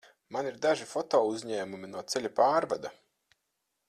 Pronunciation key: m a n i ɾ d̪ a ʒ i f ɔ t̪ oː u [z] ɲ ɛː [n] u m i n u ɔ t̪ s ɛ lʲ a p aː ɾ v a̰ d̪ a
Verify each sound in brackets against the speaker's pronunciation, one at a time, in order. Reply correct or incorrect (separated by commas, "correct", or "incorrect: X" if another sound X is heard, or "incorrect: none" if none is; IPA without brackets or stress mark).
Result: correct, incorrect: m